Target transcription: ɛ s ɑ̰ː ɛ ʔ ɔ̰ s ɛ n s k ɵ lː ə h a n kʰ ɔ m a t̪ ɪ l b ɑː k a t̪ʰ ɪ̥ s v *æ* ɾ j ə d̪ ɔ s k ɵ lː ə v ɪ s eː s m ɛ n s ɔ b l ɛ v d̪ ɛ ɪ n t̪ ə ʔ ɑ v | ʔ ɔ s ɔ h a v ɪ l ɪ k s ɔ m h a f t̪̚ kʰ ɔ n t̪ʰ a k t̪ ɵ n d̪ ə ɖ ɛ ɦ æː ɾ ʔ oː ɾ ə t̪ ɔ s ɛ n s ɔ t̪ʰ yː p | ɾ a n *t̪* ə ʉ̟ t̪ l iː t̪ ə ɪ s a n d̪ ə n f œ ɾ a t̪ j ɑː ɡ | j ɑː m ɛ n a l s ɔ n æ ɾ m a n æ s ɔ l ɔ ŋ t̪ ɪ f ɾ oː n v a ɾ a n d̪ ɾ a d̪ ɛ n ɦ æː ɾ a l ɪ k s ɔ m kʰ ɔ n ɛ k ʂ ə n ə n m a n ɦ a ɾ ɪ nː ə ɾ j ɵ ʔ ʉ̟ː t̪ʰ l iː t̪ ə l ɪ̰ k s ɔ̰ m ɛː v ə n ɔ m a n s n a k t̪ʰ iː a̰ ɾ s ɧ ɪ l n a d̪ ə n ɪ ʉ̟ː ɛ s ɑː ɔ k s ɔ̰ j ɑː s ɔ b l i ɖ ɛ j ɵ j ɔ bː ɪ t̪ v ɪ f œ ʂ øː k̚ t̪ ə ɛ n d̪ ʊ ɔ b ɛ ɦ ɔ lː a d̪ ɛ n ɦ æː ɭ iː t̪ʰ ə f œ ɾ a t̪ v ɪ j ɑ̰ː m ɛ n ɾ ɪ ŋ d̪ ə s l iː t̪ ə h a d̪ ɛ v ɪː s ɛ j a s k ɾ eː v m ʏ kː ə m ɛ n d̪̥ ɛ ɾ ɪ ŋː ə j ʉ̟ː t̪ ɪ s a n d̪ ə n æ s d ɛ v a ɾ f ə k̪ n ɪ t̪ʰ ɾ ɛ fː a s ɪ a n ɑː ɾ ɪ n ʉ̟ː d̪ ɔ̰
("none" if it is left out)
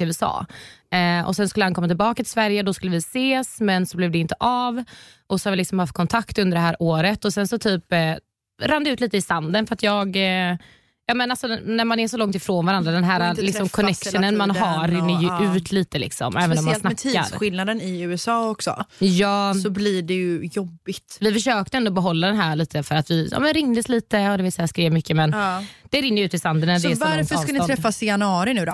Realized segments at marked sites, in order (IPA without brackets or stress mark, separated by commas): æ, d̪